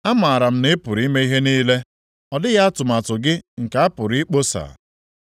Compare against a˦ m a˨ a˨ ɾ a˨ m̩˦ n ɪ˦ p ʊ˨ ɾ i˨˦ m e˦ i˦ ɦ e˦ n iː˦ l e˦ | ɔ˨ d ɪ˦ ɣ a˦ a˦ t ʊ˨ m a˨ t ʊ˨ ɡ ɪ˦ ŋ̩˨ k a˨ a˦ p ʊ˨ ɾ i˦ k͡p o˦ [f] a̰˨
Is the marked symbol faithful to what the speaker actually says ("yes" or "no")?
no